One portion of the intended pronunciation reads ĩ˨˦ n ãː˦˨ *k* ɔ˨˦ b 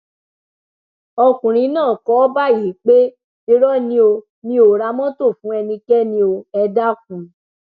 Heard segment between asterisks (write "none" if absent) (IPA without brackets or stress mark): k